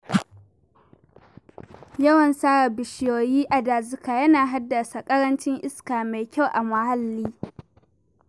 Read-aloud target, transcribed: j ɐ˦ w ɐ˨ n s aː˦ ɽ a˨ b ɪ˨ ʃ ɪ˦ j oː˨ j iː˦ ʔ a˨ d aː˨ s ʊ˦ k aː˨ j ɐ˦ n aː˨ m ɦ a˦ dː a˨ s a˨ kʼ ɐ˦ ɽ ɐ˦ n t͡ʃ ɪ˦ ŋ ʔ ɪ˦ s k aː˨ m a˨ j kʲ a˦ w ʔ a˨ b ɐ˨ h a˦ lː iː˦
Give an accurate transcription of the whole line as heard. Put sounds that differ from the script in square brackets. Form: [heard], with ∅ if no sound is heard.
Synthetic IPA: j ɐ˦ w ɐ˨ n s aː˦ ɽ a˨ b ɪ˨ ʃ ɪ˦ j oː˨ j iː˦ ʔ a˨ d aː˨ [z] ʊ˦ k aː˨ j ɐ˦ n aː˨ [∅] ɦ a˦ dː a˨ s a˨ kʼ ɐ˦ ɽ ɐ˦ n t͡ʃ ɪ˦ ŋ ʔ ɪ˦ s k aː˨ m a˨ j kʲ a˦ w ʔ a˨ [m] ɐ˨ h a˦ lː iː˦